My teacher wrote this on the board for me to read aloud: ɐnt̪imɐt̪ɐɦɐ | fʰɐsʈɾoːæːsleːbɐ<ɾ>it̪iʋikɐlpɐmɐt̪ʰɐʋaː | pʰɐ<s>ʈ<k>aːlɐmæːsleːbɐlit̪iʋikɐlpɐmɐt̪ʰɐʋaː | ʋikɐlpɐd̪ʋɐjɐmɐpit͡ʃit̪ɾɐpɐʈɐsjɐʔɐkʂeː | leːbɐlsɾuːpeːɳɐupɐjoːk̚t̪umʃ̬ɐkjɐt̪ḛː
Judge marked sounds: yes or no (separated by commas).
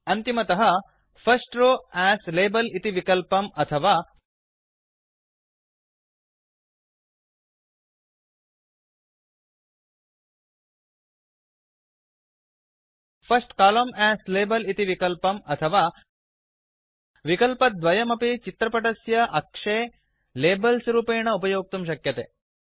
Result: no, yes, yes